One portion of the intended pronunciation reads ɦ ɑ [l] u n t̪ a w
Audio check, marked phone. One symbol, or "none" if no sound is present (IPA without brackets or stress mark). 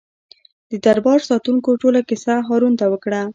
ɾ